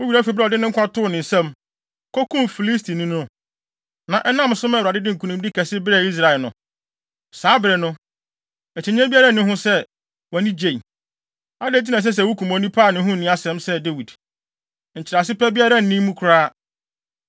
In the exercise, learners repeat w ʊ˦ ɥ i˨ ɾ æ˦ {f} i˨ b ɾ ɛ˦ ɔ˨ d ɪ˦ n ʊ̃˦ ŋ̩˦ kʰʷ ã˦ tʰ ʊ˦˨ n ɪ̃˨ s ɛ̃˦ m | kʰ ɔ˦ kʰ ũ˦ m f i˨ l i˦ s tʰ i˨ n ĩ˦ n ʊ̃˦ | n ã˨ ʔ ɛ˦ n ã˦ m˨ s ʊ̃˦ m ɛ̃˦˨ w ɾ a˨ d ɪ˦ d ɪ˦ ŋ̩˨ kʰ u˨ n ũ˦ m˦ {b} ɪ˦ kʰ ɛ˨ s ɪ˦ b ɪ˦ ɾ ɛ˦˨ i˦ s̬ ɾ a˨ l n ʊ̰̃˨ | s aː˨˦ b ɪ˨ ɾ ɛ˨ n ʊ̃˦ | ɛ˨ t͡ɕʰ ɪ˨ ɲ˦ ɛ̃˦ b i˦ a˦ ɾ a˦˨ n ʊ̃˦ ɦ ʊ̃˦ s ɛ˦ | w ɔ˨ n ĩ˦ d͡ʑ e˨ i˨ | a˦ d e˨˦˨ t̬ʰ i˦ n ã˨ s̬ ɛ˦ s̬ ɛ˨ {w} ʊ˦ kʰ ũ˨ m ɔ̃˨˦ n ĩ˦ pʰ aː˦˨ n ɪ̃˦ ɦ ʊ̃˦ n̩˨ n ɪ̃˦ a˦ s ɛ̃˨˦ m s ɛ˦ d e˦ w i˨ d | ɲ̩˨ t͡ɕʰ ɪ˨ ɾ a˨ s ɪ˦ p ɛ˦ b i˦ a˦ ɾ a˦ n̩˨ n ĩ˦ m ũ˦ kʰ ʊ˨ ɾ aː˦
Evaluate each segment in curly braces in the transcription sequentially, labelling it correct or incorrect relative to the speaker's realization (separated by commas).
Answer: correct, incorrect, correct